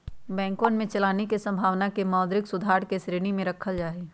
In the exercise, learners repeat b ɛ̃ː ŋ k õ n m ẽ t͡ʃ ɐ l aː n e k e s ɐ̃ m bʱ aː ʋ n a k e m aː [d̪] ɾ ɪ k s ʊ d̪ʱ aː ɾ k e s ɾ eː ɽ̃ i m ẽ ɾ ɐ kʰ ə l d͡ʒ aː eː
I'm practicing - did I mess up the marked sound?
no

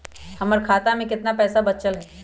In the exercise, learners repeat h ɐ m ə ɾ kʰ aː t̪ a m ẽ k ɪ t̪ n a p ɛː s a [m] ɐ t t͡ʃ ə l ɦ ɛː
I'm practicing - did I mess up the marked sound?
yes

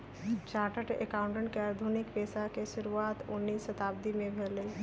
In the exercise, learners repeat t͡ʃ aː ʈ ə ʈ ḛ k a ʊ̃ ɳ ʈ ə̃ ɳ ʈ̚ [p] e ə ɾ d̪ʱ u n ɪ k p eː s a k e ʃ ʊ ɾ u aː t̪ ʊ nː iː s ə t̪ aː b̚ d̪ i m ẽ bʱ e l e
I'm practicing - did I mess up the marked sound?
yes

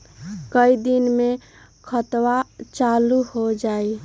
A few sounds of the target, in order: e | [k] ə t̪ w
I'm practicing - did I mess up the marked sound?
yes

